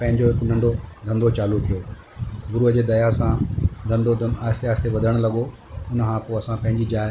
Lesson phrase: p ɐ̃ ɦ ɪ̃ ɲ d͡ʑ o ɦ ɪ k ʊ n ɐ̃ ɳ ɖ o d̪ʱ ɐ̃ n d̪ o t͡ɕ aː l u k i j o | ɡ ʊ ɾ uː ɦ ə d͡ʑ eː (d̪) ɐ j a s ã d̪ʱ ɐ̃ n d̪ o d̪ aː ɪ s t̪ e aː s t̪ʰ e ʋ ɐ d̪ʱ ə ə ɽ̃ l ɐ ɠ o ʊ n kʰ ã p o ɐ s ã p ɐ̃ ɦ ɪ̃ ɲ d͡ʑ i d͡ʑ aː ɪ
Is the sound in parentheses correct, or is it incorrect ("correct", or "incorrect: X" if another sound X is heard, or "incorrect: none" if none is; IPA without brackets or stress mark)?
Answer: correct